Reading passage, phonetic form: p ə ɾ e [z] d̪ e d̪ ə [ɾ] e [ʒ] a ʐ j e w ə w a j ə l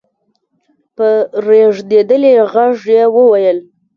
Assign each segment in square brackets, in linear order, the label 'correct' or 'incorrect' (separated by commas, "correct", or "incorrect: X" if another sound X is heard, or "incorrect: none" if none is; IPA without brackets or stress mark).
incorrect: ʐ, incorrect: l, incorrect: ɣ